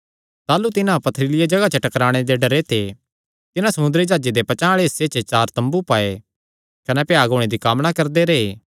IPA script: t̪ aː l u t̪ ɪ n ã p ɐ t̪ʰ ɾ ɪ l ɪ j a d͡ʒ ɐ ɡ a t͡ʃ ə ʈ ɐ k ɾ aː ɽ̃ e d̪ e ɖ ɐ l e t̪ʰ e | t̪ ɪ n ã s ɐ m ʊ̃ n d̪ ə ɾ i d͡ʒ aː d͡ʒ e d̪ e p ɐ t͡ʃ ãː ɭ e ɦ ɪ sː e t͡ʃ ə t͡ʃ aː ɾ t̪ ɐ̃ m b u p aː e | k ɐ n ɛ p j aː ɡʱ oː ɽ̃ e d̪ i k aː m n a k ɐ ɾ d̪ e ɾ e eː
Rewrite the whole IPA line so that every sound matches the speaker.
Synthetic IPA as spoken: t̪ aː l u t̪ ɪ n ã p ɐ t̪ʰ ɾ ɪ l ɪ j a d͡ʒ ɐ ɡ a t͡ʃ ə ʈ ɐ k ɾ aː ɽ̃ e d̪ e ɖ ɐ ɾ e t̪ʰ e | t̪ ɪ n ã s ɐ m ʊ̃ n d̪ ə ɾ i d͡ʒ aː d͡ʒ e d̪ e p ɐ t͡ʃ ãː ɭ e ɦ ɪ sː e t͡ʃ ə t͡ʃ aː ɾ t̪ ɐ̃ m b u p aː e | k ɐ n ɛ p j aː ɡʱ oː ɽ̃ e d̪ i k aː m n a k ɐ ɾ d̪ e ɾ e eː